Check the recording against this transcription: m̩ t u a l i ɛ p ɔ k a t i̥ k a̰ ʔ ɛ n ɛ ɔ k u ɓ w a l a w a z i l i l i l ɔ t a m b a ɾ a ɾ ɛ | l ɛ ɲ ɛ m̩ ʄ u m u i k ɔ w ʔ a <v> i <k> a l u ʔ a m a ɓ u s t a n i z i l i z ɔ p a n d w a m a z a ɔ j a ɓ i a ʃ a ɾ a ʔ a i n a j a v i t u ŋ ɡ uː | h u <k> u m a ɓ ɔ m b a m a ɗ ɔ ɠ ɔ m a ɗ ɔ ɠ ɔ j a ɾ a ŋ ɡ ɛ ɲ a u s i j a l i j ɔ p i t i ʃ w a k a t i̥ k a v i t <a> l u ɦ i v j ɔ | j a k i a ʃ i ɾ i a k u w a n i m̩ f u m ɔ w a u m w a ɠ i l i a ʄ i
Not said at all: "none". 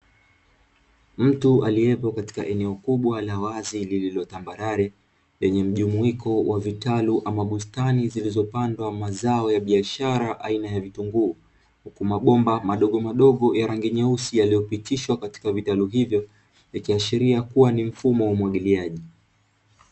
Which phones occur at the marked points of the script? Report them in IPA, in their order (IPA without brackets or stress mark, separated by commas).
v, t, k, a